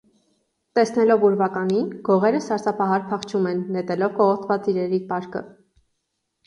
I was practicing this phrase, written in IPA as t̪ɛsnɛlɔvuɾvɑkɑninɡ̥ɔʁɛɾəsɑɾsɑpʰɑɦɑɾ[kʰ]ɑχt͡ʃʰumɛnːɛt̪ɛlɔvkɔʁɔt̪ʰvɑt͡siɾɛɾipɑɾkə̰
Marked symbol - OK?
no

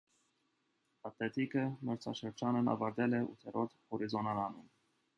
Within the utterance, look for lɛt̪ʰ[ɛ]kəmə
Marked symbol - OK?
no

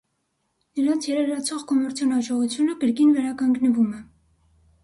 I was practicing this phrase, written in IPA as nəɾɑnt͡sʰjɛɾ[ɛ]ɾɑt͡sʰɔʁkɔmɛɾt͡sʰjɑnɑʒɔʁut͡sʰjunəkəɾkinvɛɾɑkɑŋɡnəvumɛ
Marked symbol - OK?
yes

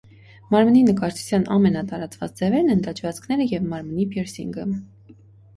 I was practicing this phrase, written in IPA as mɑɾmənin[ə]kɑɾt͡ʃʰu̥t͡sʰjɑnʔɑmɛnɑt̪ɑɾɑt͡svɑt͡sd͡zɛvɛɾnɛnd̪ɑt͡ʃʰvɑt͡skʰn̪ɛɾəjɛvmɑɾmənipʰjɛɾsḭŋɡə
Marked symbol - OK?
yes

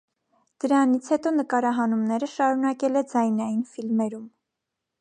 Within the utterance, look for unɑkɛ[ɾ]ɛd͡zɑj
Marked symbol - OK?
no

